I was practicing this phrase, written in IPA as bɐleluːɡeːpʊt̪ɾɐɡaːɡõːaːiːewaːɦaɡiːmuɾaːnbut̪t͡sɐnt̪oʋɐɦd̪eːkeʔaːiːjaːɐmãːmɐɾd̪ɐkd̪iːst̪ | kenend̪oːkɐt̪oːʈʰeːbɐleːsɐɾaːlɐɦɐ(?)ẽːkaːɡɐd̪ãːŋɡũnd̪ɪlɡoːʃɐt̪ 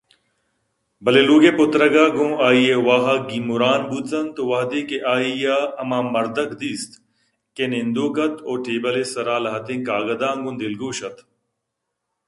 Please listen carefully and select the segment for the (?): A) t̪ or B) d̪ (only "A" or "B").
A